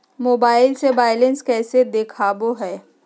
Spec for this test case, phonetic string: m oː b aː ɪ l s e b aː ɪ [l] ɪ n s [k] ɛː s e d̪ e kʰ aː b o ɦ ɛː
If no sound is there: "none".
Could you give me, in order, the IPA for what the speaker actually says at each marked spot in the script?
l, k

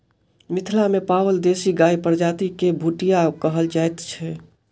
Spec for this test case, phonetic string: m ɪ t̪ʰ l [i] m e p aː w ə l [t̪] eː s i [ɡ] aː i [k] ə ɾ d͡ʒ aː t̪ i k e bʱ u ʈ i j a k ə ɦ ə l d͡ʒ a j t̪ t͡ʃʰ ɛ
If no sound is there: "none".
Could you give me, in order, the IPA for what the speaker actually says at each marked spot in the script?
a, d̪, ɡ, p

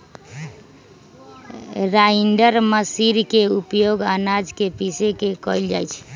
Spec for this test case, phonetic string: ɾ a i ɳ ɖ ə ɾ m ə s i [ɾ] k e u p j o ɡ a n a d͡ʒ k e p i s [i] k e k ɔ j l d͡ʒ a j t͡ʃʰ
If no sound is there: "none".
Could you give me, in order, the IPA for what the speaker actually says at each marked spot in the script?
ɾ, e

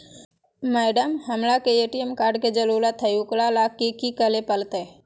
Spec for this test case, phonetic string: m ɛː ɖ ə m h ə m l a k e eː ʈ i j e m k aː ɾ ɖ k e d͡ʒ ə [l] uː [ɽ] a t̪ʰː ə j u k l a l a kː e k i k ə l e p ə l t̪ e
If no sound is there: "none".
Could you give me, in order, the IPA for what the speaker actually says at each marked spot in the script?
l, l

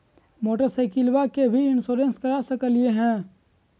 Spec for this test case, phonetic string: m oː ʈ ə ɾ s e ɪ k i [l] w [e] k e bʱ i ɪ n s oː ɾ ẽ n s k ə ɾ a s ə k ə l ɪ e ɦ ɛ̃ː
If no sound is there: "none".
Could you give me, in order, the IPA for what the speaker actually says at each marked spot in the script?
l, a

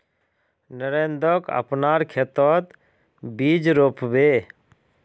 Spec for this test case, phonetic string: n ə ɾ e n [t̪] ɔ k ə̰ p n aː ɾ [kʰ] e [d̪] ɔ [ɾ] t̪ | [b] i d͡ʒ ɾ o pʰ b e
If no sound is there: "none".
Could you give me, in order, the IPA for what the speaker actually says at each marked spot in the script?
d̪, kʰ, t̪, none, b

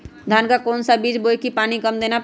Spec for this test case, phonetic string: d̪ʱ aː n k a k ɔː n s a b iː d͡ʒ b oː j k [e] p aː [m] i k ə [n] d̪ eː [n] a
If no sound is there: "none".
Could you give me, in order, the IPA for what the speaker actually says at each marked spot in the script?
i, n, m, n

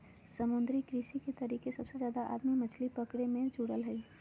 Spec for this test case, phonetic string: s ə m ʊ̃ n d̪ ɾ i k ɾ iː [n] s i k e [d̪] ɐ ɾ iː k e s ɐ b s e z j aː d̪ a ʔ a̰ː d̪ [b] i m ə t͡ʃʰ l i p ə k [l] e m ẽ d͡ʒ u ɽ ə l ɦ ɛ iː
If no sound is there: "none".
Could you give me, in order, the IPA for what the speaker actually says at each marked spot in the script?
none, t̪, m, ɽ

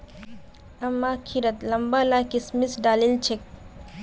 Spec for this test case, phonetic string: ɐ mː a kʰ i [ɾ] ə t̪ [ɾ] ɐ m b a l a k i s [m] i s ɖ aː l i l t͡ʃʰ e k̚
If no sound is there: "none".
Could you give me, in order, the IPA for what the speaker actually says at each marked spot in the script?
ɾ, l, m

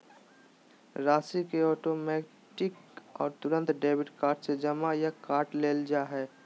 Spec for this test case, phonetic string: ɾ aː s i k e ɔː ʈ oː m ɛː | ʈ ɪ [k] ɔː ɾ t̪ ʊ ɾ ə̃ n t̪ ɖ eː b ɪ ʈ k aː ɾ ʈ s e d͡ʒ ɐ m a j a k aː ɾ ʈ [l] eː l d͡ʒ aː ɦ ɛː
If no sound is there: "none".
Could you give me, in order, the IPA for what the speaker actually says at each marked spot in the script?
k, l

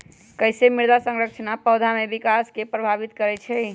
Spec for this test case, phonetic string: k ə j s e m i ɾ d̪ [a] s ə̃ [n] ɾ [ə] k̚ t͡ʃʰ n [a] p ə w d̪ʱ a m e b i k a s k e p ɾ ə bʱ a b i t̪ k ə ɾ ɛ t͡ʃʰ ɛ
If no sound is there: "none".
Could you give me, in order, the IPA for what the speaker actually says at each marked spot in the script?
a, ŋ, ə, a

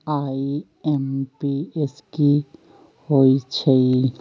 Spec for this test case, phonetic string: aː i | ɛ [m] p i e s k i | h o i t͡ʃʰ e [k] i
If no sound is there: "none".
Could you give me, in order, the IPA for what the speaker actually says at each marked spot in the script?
m, none

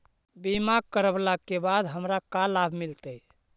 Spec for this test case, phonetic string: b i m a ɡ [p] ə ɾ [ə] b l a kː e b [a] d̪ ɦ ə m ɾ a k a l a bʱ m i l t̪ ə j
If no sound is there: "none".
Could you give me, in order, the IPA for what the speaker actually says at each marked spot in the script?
k, ə, a

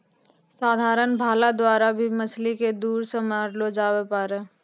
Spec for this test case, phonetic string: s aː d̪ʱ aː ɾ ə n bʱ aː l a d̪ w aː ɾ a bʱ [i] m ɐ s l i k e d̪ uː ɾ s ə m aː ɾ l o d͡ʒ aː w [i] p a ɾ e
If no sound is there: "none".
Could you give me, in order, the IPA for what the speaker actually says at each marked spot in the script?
i, e

